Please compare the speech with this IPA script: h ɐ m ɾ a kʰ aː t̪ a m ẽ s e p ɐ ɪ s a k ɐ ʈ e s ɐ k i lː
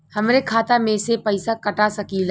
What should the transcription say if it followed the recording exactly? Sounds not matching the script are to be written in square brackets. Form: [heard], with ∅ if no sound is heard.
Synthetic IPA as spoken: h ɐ m ɾ [e] kʰ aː t̪ a m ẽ s e p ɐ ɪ s a k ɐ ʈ [a] s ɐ k i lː

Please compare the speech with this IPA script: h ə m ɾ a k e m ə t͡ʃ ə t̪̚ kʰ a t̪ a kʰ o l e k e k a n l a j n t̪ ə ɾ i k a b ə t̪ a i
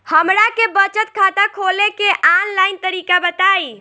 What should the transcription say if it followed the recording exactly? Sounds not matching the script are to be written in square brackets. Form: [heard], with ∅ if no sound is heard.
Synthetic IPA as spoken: h ə m ɾ a k e [b] ə t͡ʃ ə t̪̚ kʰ a t̪ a kʰ o l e k e [ʔ] a n l a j n t̪ ə ɾ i k a b ə t̪ a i

